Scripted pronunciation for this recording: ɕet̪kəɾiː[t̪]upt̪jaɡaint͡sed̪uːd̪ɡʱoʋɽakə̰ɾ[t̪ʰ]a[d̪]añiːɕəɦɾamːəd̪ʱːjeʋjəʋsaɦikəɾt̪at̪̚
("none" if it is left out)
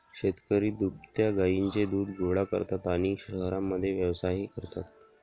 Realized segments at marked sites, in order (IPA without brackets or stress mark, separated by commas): d̪, t̪, t̪